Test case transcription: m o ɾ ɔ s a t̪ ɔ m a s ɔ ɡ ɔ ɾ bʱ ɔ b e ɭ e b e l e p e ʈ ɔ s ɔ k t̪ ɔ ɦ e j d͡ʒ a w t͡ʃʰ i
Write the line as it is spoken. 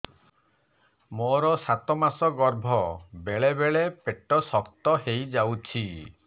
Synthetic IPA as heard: m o ɾ ɔ s a t̪ ɔ m a s ɔ ɡ ɔ ɾ bʱ ɔ b e ɭ e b e ɭ e p e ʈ ɔ s ɔ k t̪ ɔ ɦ e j d͡ʒ a w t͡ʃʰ i